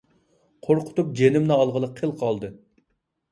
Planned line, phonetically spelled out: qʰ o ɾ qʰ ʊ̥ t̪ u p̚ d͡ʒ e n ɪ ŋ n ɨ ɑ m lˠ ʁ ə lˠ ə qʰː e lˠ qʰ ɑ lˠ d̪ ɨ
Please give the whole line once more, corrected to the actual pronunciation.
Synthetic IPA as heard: qʰ o ɾ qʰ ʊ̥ t̪ u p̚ d͡ʒ e n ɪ m n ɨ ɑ lˠ ʁ ə lˠ ə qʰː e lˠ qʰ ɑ lˠ d̪ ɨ